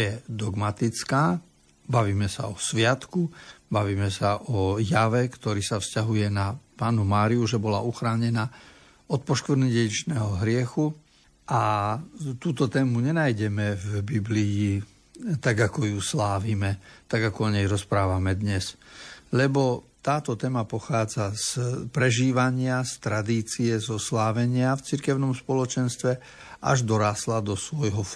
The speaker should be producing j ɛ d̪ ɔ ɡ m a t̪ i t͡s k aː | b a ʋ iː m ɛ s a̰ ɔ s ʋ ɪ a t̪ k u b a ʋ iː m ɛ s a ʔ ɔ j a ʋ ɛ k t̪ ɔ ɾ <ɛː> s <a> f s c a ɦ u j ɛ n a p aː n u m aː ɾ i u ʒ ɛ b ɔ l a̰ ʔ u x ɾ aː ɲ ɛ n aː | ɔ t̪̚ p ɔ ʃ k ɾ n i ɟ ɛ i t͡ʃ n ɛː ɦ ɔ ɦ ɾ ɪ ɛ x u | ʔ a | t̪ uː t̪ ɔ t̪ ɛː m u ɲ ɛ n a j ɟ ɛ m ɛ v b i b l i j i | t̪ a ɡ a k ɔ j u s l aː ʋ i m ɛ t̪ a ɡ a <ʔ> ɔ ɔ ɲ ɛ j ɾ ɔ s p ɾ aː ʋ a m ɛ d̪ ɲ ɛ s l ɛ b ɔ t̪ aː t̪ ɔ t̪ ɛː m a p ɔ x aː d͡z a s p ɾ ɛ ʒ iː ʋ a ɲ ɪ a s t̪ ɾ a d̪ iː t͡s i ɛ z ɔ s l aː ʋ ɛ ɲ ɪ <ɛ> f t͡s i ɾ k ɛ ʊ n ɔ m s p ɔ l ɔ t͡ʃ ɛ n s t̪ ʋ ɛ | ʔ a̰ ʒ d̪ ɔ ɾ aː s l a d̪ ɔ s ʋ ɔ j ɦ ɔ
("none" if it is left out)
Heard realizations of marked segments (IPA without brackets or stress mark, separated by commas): iː, a, k, a